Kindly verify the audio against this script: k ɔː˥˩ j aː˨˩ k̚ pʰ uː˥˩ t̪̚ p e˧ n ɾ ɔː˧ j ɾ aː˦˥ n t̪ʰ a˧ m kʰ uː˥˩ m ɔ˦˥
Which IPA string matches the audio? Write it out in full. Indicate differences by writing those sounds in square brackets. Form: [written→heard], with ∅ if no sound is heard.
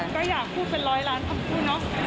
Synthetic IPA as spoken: k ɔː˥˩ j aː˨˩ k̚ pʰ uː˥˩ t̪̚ p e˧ n ɾ [ɔː˧→ɔː˦˥] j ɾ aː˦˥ n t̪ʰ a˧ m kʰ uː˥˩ [m→n] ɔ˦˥